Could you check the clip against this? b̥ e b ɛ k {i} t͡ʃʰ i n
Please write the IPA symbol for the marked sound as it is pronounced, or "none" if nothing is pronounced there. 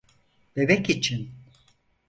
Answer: i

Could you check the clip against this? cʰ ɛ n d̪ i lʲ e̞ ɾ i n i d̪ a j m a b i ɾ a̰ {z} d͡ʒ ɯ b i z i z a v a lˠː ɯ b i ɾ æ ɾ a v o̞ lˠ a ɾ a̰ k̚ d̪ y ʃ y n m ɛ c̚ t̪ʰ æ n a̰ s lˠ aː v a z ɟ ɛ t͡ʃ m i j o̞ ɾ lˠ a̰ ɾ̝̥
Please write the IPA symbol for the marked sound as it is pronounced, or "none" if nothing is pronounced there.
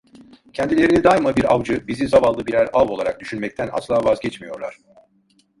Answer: v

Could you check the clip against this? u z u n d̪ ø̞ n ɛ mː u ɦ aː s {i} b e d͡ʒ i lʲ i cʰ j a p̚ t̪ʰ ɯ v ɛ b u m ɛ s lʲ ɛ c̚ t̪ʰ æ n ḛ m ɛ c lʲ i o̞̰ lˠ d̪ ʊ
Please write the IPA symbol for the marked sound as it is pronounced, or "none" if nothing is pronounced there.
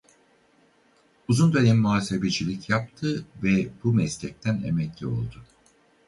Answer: e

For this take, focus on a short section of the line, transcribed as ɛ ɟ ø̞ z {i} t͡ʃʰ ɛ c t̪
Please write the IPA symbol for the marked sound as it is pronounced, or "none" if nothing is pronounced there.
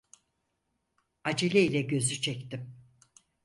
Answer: y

